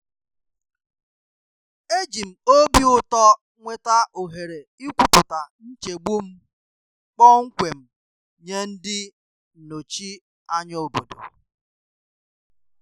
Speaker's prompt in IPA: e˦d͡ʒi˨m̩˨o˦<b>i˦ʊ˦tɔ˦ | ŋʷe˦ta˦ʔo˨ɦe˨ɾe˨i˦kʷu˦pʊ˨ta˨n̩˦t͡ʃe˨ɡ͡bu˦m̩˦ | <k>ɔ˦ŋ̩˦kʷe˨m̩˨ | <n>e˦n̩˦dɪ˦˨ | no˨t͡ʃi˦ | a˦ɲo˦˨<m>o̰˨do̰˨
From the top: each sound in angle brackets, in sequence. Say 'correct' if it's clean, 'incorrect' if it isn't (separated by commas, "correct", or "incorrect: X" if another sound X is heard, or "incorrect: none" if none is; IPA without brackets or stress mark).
correct, incorrect: k͡p, incorrect: ɲ, incorrect: b